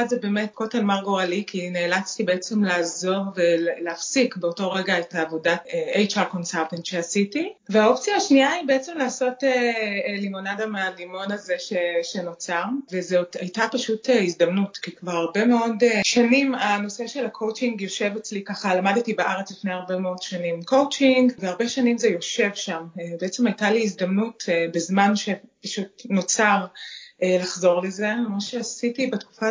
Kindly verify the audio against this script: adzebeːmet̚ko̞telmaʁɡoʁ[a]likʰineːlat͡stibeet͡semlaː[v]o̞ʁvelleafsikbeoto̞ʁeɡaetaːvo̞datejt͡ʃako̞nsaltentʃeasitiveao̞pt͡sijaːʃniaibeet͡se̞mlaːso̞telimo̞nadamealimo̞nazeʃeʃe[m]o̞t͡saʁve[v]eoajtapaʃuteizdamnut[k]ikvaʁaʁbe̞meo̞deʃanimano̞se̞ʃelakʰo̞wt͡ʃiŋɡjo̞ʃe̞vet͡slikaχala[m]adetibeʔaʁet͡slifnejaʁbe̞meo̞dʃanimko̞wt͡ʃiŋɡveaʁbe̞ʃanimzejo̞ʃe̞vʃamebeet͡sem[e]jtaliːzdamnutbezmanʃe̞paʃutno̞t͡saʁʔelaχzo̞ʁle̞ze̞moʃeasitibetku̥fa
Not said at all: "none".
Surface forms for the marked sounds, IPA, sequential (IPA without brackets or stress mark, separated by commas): a, z, n, z, k, m, a